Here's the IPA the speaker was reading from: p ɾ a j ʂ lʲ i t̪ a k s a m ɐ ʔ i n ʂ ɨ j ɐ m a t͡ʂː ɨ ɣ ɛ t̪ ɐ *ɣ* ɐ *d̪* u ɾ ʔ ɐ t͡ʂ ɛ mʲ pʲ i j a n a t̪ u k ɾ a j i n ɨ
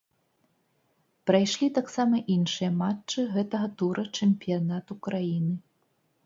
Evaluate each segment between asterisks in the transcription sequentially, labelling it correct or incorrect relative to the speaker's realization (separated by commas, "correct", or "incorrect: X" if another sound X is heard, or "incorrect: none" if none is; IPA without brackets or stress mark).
correct, incorrect: t̪